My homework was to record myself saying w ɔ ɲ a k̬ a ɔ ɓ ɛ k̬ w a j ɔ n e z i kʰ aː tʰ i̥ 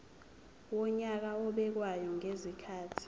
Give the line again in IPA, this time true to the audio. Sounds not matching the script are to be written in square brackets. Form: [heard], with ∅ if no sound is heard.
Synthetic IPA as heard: w ɔ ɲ a k̬ a ɔ ɓ ɛ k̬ w a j ɔ [ŋ] e z i kʰ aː tʰ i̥